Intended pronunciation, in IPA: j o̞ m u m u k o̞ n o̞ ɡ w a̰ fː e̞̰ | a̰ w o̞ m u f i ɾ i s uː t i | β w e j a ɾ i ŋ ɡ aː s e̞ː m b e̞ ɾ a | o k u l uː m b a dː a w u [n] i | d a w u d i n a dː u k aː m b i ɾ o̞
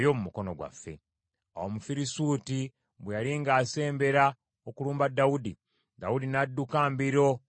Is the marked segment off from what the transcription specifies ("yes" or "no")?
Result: yes